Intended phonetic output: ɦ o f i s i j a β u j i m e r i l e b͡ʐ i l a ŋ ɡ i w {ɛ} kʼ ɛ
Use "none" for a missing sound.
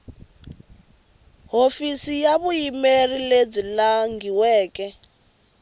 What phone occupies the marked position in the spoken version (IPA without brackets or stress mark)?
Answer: ɛː